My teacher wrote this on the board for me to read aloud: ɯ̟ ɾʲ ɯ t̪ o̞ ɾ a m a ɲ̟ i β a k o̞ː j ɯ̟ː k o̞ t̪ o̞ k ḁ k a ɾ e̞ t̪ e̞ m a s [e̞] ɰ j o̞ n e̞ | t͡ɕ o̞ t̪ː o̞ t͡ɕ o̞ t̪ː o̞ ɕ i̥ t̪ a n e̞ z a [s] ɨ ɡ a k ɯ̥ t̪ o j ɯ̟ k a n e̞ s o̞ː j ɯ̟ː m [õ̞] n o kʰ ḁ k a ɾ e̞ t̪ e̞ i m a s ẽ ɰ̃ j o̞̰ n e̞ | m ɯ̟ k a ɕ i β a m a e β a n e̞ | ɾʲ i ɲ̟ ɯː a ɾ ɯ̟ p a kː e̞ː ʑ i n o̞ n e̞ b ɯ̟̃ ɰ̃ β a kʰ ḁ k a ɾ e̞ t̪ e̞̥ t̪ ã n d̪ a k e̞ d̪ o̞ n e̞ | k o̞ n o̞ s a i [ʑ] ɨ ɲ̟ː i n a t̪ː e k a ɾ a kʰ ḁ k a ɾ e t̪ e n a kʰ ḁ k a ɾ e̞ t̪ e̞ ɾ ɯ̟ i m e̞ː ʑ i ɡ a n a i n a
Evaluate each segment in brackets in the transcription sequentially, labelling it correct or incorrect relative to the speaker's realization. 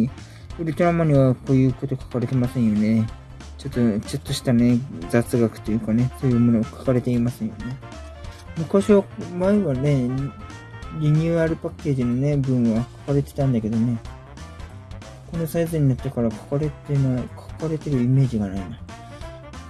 incorrect: ẽ̞, incorrect: t͡s, incorrect: o̞, incorrect: z

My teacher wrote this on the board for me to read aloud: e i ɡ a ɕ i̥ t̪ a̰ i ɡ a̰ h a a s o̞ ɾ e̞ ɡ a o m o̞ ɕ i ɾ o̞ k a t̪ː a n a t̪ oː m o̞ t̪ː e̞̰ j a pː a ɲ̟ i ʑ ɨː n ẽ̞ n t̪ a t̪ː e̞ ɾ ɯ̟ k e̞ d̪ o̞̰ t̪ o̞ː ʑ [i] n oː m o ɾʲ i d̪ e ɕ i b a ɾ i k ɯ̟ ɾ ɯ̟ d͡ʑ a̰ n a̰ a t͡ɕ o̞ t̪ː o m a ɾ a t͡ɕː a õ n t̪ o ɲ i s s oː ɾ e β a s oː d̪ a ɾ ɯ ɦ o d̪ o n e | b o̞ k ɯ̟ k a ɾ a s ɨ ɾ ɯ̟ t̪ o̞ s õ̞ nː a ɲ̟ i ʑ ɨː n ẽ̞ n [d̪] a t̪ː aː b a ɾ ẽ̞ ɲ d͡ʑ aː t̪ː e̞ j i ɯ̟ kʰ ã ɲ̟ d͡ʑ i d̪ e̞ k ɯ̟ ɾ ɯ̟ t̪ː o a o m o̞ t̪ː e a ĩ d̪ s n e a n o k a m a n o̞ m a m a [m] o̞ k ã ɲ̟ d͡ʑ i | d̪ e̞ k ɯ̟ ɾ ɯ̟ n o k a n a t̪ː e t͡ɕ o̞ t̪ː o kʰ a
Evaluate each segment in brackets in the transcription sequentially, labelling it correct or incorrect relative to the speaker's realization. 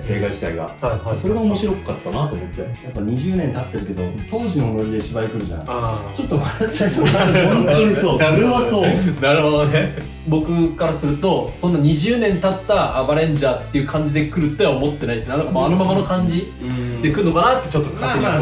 correct, incorrect: t̪, incorrect: n

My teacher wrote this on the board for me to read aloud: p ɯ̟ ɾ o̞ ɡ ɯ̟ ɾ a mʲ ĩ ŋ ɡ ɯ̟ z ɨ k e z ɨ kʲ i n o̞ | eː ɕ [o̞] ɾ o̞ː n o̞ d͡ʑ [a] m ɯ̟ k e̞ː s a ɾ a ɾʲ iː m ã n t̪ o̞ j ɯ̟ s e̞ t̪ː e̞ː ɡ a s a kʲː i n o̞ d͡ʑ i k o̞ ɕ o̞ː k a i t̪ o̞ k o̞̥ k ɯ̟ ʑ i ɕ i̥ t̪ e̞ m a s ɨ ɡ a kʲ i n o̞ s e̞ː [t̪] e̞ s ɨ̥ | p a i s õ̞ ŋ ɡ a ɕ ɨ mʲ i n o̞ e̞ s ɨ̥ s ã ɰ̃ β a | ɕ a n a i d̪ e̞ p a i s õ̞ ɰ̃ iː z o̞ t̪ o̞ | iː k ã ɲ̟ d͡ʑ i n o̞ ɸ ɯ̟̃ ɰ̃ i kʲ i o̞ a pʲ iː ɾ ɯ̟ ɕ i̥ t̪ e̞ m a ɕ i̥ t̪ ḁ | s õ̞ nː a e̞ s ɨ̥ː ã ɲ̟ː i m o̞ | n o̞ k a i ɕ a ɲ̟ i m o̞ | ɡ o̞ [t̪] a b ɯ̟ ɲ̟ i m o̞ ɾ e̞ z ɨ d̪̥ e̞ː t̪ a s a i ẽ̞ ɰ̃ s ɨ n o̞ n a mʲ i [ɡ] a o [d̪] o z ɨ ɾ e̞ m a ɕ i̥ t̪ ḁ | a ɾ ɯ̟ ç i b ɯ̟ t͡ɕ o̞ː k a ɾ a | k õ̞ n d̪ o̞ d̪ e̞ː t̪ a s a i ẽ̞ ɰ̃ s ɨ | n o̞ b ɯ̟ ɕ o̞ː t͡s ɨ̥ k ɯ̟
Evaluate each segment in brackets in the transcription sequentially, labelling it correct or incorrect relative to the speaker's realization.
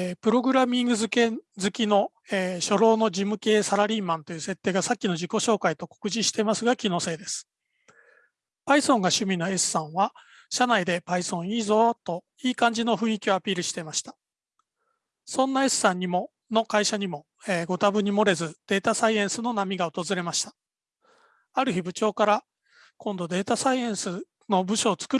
correct, incorrect: i, incorrect: d̪, correct, correct, incorrect: t̪

